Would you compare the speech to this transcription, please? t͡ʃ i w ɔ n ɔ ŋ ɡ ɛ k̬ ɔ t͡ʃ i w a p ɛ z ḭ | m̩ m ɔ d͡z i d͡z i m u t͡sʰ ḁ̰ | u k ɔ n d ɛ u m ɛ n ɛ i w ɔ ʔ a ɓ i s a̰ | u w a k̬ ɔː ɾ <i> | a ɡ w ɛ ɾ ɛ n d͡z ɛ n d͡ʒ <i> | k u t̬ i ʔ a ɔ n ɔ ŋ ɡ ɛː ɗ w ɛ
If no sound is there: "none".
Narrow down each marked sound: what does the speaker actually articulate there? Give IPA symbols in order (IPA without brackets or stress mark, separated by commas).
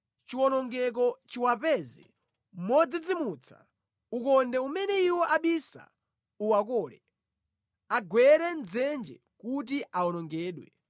ɛ, ɛ